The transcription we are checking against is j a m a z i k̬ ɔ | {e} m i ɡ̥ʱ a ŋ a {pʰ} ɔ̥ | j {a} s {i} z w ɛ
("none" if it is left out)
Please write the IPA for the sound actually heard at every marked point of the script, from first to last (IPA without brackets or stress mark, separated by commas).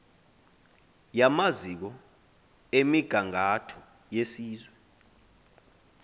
e, tʰ, e, iː